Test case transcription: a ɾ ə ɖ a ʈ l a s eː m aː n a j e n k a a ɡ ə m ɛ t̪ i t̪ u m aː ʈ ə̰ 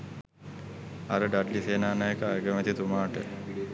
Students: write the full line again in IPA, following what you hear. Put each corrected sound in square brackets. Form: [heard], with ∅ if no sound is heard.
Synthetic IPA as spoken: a ɾ ə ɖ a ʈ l [i] s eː [n] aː n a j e [∅] k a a ɡ ə m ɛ t̪ i t̪ u m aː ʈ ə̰